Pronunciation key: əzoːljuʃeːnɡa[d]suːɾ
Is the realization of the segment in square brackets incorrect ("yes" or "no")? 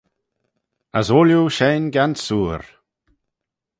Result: yes